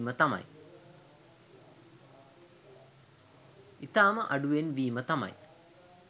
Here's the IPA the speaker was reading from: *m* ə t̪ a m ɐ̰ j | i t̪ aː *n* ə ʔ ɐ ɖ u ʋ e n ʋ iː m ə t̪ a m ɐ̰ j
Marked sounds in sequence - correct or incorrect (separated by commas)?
correct, incorrect